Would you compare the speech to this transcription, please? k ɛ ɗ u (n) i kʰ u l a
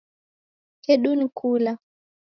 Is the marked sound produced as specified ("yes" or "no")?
yes